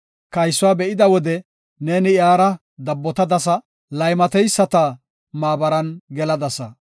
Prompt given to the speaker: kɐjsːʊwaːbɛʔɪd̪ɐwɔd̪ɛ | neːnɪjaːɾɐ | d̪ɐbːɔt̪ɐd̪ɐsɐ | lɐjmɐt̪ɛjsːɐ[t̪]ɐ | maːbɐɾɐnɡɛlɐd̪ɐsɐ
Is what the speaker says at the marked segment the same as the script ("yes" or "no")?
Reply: yes